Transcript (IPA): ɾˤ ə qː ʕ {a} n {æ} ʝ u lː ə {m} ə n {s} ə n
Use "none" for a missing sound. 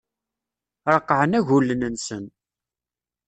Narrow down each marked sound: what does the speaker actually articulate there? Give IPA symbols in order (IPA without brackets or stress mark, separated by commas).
ə, æ, n, s